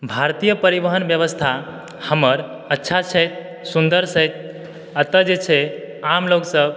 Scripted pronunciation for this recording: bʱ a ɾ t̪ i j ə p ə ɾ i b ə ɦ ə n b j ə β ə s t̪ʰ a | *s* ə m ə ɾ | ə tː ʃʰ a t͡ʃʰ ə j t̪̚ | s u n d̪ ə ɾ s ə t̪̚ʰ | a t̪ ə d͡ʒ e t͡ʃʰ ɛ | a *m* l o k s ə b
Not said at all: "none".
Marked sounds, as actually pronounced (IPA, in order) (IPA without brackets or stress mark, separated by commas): h, m